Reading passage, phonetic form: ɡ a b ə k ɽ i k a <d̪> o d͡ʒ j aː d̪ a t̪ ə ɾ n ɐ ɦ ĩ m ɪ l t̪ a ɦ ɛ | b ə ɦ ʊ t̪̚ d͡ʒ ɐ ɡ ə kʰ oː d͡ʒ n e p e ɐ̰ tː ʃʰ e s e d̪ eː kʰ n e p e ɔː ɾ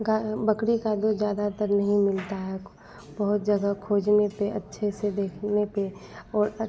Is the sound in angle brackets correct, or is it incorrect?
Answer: correct